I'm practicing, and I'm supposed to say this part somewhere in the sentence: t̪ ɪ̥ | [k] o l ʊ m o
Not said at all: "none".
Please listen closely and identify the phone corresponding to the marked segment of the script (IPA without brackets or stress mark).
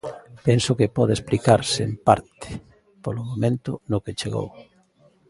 p